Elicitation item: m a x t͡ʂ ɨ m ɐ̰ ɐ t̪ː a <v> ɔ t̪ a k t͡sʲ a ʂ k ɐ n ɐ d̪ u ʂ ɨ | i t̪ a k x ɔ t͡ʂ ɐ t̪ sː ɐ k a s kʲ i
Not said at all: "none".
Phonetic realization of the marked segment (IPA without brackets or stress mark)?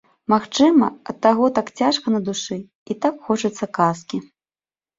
ɣ